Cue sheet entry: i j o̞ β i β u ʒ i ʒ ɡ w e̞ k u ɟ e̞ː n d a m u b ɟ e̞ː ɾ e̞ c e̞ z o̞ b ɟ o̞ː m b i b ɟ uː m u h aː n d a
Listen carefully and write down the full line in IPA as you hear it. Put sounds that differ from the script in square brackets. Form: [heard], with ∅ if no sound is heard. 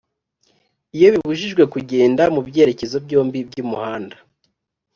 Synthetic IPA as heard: i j o̞ β i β u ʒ i ʒ ɡ w e̞ k u ɟ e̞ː n d a m u b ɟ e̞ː ɾ e̞ c e̞ z o̞ b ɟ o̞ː m b i b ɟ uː m u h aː n d a

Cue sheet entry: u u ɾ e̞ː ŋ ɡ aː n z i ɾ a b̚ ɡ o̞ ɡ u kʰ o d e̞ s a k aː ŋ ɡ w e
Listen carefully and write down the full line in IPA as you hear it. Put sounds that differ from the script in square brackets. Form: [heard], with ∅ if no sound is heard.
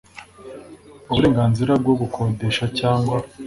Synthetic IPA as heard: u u ɾ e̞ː ŋ ɡ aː n z i ɾ a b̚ ɡ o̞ ɡ u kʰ o d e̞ [ʃ] a [c] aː ŋ ɡ w [a]

